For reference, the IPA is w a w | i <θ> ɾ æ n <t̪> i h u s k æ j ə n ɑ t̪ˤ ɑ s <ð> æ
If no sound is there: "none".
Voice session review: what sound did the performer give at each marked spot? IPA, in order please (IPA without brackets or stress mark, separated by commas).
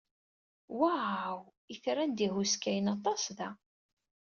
θ, d̪, ð